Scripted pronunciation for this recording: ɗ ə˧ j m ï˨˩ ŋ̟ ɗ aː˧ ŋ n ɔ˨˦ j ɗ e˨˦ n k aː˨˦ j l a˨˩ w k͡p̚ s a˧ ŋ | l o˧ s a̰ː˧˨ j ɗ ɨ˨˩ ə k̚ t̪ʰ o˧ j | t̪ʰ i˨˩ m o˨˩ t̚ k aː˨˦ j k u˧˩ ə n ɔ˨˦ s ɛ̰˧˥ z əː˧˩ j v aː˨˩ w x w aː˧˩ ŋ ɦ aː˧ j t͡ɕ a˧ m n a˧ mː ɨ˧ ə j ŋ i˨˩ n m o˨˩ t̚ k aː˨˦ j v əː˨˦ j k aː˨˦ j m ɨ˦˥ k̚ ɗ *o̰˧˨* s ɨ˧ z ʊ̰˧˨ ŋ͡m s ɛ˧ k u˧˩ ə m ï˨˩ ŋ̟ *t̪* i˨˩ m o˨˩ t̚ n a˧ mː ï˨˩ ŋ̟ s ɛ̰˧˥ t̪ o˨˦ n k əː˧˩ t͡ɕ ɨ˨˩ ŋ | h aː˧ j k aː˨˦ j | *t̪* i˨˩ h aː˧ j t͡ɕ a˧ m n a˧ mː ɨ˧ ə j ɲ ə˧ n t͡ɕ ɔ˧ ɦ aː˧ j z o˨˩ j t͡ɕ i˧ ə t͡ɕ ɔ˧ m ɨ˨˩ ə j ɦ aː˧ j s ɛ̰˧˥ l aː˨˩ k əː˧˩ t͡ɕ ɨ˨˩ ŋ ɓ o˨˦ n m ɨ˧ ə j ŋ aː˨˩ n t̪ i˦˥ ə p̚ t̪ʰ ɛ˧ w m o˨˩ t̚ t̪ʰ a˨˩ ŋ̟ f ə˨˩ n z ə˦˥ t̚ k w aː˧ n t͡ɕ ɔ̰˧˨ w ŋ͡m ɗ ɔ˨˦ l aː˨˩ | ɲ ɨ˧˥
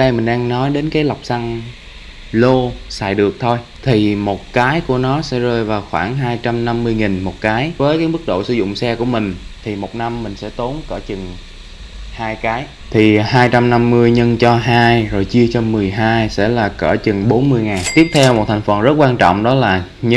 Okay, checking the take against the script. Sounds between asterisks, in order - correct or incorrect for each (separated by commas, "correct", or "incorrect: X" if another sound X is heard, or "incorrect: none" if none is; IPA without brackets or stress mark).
correct, incorrect: t̪ʰ, incorrect: t̪ʰ